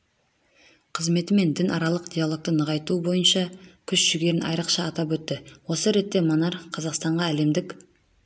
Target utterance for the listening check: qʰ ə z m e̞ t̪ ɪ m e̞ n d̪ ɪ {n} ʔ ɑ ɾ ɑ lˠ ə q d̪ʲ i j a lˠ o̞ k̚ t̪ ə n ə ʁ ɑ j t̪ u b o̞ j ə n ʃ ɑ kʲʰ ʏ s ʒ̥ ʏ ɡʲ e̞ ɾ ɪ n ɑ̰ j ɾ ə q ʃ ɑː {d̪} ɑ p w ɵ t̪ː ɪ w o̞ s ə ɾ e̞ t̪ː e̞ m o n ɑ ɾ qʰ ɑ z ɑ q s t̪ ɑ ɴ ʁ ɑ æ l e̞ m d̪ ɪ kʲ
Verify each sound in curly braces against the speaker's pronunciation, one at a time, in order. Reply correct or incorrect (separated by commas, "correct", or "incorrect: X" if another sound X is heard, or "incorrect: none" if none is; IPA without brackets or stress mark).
correct, incorrect: t̪